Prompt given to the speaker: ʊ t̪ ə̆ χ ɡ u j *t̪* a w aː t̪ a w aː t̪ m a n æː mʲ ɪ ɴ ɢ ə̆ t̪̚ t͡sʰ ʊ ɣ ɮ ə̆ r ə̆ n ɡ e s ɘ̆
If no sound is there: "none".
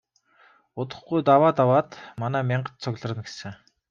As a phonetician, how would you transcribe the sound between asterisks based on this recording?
t̪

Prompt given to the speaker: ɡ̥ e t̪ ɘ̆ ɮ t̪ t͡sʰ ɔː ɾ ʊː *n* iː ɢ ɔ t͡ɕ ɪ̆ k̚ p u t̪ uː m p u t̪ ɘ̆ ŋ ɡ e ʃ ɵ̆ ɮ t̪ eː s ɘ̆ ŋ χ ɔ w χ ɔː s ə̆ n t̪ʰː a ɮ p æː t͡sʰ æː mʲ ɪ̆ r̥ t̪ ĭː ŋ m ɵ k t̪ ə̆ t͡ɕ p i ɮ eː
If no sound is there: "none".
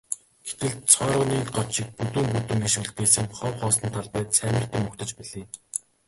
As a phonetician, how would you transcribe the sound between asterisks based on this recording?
n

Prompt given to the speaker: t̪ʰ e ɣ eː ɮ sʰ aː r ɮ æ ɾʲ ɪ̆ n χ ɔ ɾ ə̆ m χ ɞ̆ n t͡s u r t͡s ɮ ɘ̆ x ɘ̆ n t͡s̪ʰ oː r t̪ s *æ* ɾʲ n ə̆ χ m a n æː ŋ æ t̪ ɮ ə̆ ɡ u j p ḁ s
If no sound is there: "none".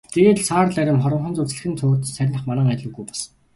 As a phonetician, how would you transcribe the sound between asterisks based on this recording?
æ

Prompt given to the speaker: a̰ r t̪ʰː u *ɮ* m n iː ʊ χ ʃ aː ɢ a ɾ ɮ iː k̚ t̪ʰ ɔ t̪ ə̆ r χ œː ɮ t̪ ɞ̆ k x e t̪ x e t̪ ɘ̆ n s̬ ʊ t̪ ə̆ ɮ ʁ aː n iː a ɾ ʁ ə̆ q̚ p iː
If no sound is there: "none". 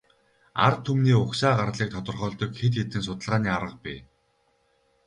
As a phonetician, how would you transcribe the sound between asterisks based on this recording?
none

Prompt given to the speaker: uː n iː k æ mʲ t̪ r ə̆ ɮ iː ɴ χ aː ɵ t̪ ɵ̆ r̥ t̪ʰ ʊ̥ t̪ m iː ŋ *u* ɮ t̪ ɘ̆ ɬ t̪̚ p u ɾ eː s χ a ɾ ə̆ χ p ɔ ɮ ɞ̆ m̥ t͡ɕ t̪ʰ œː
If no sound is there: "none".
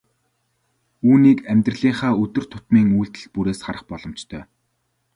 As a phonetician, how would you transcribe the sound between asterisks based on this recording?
uː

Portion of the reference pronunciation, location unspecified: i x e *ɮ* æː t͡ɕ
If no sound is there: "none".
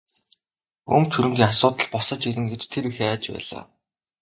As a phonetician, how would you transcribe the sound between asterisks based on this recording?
none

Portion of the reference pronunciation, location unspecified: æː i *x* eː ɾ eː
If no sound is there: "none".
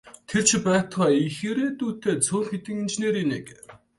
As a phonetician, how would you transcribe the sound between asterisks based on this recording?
x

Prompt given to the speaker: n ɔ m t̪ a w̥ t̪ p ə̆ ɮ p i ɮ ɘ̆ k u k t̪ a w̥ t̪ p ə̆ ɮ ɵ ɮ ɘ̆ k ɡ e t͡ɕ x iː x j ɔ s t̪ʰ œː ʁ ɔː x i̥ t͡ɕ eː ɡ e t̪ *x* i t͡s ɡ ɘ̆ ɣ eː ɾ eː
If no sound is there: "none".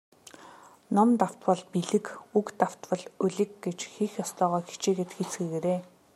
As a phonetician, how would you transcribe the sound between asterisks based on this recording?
x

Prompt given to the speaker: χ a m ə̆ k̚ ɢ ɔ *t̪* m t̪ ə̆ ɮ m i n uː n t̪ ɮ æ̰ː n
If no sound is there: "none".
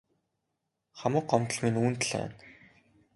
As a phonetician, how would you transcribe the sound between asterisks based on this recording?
none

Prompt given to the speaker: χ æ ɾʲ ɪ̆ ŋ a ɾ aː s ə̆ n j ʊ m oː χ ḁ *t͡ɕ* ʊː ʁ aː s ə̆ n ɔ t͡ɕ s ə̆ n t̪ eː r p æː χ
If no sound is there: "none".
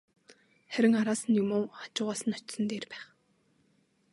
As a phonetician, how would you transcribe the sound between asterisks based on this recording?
t͡ɕ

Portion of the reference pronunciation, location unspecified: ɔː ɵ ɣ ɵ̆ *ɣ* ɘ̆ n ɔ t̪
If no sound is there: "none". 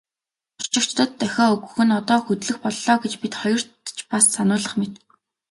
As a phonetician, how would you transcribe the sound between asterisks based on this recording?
x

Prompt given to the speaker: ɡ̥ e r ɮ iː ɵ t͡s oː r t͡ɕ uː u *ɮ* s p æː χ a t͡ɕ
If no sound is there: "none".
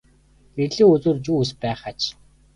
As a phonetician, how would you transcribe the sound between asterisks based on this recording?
none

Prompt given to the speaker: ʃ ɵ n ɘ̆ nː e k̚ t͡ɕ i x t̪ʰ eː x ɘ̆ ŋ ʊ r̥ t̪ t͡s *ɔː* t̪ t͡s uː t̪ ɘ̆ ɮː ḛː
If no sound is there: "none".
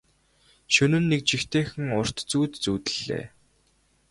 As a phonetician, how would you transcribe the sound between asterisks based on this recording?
uː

